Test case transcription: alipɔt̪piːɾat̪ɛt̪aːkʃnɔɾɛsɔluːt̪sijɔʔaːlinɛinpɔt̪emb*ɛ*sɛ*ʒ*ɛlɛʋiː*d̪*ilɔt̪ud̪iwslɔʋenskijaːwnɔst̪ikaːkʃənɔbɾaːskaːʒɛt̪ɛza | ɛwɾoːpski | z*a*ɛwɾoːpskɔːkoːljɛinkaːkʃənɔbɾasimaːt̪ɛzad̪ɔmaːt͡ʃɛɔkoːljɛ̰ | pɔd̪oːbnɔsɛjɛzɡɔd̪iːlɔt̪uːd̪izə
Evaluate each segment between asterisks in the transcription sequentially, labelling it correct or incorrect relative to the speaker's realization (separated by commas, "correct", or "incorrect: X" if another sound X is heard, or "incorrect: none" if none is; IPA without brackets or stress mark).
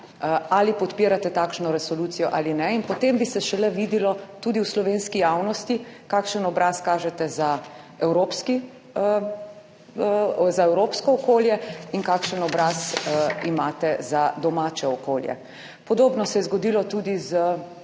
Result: incorrect: i, incorrect: ʃ, correct, correct